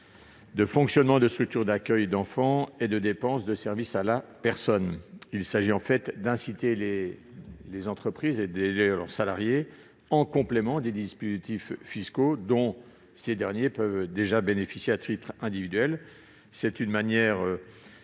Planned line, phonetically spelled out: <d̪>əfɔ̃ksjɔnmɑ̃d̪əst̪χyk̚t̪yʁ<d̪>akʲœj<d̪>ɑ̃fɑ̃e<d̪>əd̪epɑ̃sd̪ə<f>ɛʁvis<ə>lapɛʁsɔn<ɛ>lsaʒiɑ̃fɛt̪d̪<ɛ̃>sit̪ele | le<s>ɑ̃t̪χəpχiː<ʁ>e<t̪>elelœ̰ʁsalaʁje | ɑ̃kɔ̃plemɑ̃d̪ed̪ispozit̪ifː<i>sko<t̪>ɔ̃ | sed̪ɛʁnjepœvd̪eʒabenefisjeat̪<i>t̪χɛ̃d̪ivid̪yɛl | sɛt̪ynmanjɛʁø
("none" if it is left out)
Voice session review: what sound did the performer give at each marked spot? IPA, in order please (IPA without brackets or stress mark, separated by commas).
d̪, d̪, d̪, d̪, s, a, i, ɛ̃, z, z, d̪, i, d̪, i